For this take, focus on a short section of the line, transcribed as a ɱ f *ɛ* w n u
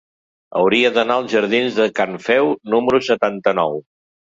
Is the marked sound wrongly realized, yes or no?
no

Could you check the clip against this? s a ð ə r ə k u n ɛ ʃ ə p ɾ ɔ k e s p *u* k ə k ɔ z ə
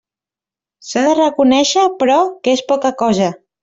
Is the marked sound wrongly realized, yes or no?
yes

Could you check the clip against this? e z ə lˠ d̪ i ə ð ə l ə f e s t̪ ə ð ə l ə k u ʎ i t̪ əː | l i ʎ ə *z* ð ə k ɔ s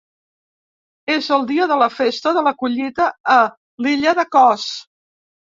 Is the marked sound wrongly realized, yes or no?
yes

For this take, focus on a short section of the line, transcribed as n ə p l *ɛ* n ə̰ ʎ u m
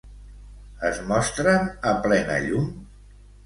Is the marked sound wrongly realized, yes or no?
no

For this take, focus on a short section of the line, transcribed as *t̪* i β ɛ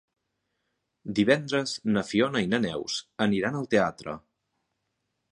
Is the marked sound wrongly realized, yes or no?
yes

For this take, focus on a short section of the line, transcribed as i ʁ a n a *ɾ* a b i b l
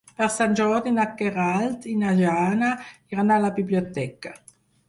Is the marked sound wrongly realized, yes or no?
yes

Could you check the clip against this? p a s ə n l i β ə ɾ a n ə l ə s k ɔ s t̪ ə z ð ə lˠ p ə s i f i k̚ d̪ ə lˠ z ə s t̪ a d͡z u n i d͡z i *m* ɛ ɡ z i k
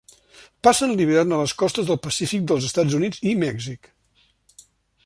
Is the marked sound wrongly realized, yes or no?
no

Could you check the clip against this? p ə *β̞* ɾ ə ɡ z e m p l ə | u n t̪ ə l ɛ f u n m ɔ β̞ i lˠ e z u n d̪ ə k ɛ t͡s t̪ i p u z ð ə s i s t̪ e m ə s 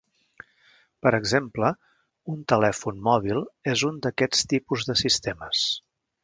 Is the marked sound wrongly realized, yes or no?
yes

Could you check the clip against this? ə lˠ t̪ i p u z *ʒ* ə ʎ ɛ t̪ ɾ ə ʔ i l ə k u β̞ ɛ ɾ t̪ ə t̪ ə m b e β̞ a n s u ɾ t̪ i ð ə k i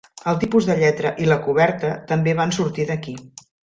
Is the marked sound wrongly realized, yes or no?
yes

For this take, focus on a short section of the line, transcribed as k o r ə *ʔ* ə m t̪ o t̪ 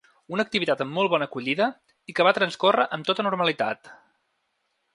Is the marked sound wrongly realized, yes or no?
no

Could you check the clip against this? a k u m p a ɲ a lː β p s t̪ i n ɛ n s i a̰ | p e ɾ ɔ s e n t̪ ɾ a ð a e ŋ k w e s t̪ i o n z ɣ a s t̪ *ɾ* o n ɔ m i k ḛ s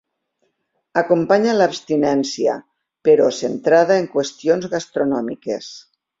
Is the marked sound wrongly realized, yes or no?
no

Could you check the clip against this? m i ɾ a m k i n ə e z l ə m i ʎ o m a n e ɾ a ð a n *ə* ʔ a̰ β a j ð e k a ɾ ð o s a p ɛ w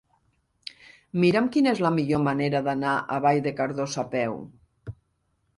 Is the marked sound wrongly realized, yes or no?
yes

